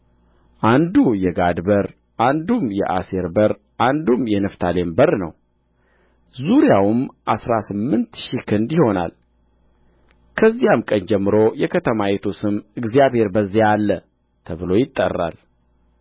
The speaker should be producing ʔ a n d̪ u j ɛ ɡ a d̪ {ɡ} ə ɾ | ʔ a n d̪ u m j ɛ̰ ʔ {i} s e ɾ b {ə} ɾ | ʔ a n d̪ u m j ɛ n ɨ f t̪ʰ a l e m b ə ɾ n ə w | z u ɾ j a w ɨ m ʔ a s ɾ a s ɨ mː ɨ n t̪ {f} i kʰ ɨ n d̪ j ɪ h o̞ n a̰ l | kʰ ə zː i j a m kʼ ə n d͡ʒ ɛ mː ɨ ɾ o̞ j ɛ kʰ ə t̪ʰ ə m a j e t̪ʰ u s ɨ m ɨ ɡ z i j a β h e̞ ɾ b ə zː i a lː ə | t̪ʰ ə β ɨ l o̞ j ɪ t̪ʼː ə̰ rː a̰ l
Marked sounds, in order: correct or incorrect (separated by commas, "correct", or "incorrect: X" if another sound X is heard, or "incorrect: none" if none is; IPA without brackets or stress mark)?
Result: incorrect: b, incorrect: a, correct, incorrect: ʃ